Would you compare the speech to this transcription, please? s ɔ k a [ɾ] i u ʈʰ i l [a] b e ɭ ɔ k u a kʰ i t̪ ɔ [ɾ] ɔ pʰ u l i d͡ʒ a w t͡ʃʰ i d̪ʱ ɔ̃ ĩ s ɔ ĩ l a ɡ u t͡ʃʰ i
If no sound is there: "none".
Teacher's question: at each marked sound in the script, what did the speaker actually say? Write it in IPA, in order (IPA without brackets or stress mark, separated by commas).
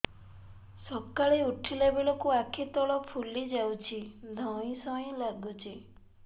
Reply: ɭ, e, ɭ